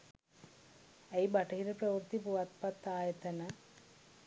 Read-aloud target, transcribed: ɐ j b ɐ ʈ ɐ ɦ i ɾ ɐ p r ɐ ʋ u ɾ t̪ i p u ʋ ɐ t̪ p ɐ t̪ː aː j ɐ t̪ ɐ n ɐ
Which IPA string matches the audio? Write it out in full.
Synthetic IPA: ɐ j b ɐ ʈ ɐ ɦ i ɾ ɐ p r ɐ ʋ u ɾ t̪ i p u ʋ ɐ t̪ p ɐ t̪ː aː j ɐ t̪ ɐ n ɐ